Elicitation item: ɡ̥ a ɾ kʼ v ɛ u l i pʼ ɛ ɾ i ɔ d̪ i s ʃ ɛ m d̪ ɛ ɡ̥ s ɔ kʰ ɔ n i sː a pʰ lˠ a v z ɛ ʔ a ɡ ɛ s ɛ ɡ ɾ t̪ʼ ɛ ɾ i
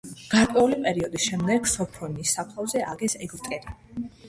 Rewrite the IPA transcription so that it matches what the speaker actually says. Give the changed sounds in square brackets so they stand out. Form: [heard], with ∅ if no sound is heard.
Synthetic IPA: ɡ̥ a ɾ kʼ [w] ɛ u l i pʼ ɛ ɾ i ɔ d̪ i s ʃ ɛ m d̪ ɛ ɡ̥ s ɔ [pʰ] ɔ n i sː a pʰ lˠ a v z ɛ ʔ a ɡ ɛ s ɛ ɡ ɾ t̪ʼ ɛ ɾ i